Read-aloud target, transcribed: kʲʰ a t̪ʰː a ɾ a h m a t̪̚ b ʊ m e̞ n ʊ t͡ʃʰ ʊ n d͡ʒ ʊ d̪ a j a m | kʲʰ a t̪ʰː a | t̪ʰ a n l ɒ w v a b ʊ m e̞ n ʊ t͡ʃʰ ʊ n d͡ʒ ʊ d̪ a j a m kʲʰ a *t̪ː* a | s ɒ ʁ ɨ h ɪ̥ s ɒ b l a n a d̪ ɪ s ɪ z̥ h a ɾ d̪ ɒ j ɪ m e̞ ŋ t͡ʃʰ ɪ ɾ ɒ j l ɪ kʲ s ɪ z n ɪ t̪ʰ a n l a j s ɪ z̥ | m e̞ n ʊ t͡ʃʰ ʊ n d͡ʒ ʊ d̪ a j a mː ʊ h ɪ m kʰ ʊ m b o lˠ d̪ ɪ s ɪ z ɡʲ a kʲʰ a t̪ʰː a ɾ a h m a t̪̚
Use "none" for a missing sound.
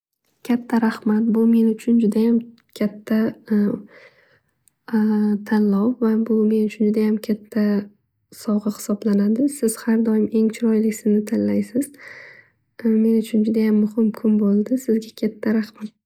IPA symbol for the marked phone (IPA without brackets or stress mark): t̪ʰː